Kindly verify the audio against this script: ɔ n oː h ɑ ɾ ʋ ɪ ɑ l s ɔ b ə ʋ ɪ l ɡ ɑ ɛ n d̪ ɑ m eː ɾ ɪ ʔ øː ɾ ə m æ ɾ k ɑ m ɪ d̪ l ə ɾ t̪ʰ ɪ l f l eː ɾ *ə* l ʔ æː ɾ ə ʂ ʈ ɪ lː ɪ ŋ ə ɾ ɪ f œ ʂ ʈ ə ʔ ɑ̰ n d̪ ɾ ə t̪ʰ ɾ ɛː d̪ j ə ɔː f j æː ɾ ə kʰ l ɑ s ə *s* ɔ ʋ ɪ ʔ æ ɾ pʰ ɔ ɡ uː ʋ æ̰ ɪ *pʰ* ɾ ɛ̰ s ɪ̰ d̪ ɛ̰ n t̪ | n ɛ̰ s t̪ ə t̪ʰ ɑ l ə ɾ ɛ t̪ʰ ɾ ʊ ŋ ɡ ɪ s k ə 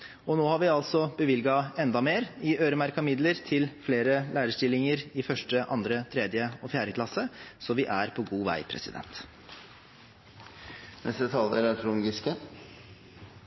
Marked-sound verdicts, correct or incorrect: correct, correct, correct

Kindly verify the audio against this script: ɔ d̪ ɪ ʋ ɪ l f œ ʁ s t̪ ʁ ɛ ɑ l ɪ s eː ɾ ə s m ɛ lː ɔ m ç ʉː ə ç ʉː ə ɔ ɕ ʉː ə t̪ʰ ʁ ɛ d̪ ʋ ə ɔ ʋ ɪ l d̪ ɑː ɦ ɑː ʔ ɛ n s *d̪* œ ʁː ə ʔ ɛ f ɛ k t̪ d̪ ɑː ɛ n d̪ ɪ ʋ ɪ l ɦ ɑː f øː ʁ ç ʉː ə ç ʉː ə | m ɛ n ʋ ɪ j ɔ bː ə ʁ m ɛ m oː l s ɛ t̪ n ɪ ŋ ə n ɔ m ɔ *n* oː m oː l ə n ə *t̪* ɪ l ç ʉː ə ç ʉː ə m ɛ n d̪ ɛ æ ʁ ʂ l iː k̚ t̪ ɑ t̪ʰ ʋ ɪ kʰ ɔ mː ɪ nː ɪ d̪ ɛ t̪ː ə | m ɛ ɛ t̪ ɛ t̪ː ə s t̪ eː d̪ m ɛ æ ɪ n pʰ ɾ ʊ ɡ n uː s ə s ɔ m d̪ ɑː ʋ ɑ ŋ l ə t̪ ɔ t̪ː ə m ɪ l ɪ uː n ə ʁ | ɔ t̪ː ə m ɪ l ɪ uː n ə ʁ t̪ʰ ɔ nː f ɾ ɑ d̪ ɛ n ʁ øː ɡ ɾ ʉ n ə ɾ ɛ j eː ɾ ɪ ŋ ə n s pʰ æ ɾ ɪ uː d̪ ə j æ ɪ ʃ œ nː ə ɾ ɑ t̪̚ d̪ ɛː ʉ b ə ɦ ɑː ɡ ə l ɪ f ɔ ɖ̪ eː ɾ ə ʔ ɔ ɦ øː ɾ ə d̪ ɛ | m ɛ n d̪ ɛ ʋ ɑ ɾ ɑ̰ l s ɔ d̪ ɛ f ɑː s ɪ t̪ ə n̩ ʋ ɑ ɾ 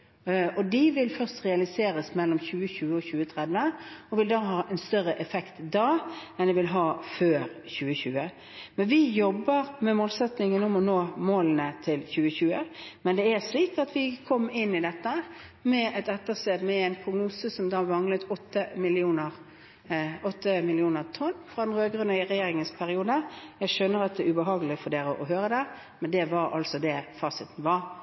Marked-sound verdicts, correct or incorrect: incorrect, correct, incorrect

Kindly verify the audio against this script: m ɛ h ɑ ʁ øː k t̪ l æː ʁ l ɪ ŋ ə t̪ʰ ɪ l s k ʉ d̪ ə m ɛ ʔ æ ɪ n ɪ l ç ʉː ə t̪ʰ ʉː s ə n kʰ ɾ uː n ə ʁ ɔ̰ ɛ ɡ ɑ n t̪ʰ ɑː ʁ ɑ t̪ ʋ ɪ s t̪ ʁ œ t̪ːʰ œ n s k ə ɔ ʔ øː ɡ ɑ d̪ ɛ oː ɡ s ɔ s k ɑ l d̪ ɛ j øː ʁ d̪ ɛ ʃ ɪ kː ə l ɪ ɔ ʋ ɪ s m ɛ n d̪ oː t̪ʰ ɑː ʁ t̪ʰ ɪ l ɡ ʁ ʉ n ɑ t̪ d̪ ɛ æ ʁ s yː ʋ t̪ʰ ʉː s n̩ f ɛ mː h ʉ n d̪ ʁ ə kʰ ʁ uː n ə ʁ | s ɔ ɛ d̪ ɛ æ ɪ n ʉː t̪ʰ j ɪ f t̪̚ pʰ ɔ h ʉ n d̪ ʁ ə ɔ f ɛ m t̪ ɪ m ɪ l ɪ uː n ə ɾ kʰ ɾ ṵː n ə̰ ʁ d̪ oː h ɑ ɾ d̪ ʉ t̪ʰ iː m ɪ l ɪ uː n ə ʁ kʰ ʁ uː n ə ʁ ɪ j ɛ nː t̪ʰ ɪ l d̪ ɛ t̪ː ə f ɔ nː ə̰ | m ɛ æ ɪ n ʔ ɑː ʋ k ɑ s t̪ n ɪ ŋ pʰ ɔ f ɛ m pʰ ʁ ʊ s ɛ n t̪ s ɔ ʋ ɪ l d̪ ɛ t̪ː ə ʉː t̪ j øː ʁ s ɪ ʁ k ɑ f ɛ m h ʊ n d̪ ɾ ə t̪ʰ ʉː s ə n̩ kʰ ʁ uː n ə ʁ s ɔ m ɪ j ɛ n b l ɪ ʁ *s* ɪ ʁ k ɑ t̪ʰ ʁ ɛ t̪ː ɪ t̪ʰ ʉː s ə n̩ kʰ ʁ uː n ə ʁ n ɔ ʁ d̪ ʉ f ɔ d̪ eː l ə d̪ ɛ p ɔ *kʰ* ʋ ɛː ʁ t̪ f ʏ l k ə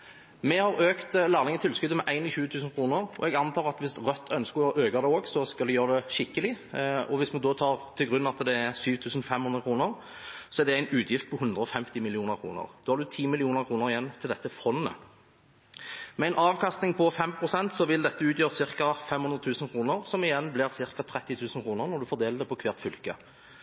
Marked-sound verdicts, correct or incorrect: correct, correct

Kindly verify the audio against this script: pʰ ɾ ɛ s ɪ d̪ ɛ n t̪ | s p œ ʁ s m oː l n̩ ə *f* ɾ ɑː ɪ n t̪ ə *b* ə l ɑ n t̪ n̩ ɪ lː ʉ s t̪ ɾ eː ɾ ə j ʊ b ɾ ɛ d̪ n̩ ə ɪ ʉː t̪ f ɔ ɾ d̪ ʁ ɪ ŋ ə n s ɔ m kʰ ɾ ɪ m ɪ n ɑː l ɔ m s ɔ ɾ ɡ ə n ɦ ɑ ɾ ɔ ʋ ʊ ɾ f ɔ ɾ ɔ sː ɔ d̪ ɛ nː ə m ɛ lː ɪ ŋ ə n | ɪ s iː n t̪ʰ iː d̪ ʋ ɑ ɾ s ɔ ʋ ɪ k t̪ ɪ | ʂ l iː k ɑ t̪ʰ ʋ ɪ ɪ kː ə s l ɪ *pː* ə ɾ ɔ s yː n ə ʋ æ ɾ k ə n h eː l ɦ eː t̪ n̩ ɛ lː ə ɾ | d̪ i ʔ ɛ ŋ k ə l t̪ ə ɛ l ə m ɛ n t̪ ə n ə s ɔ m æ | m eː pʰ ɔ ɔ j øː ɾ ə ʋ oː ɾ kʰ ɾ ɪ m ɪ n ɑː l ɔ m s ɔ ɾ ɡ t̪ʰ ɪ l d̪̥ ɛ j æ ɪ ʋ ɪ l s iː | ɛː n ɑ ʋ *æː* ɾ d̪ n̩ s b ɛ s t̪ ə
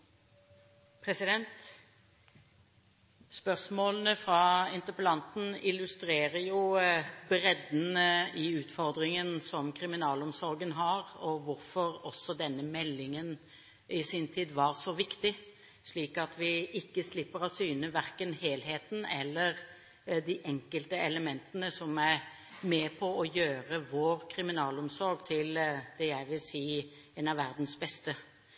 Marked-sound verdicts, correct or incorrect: correct, incorrect, correct, incorrect

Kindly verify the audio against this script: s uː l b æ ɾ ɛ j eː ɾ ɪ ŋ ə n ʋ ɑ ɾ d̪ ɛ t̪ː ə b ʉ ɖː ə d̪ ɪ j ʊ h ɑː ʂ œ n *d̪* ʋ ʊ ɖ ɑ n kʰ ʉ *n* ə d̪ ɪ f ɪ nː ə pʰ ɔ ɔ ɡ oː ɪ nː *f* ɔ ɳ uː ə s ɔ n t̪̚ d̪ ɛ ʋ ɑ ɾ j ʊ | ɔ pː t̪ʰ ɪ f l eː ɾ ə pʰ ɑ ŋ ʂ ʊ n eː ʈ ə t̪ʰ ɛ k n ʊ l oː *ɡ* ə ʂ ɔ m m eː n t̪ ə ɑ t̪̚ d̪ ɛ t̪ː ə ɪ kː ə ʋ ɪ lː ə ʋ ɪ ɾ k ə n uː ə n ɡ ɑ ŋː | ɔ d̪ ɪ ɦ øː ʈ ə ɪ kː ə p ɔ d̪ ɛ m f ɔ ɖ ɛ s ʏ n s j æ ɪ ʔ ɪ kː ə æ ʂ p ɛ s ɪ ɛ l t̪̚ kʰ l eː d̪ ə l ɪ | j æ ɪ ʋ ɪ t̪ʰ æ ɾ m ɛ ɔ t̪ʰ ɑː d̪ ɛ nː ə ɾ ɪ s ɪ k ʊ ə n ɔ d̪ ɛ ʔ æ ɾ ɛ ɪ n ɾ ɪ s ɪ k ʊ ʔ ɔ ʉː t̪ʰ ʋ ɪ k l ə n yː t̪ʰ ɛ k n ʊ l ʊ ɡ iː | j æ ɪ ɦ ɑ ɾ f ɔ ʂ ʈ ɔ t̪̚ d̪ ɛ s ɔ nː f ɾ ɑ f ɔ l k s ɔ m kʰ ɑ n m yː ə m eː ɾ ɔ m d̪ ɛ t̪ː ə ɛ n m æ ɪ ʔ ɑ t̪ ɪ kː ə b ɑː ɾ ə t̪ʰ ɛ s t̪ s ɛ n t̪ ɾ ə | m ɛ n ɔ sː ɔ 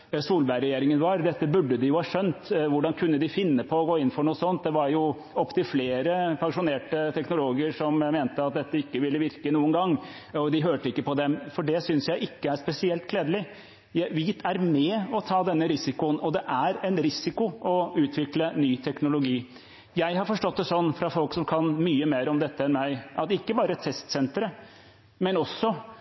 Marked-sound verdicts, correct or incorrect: incorrect, incorrect, correct, correct

